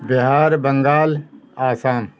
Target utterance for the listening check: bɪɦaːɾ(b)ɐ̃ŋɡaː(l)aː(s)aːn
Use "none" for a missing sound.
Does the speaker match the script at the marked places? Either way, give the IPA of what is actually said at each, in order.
b, l, s

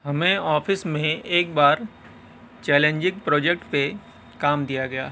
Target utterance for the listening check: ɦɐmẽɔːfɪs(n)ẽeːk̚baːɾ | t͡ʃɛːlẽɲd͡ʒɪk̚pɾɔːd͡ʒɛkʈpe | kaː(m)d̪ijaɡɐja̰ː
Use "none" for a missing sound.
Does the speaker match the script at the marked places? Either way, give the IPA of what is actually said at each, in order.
m, m

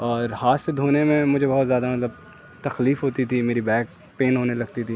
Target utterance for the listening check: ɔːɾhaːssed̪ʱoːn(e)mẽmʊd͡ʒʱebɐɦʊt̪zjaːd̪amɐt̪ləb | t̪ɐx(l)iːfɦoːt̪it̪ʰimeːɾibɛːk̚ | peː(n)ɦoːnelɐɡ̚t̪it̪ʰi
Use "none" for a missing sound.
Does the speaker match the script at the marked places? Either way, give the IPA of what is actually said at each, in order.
e, l, n

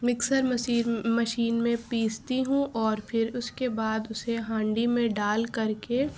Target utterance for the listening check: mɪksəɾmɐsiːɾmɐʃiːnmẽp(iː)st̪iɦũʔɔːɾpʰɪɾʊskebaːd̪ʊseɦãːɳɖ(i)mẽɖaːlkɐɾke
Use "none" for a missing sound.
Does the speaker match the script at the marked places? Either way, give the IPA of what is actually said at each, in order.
iː, i

